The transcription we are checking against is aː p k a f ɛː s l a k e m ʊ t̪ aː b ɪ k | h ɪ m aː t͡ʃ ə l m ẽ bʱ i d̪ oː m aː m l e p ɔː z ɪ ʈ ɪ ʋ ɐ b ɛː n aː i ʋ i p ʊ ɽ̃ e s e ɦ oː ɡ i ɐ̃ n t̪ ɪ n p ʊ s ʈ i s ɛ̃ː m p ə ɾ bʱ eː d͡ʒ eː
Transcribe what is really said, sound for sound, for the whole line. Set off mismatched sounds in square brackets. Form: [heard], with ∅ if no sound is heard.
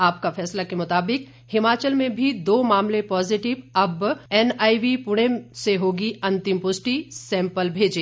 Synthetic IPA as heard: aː p k a f ɛː s l a k e m ʊ t̪ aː b ɪ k | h ɪ m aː t͡ʃ ə l m ẽ bʱ i d̪ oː m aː m l e p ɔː z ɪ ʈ ɪ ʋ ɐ b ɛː n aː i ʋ i p ʊ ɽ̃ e s e ɦ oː ɡ i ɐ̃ n t̪ ɪ [m] p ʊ s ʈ i s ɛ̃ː m p ə [l] bʱ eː d͡ʒ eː